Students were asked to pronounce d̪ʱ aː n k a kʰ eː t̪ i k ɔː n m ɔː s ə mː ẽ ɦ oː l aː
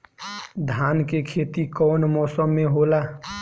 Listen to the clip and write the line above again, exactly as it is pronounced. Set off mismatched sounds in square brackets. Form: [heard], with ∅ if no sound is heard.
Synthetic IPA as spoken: d̪ʱ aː n k [e] kʰ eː t̪ i k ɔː n m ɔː s ə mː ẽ ɦ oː l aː